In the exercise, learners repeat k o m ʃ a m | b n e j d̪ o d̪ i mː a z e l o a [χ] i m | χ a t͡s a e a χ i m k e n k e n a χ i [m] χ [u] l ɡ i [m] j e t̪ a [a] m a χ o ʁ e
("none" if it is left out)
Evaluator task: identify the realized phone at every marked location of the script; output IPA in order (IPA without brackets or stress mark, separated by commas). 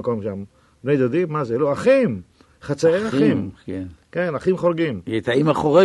χ, m, o, m, i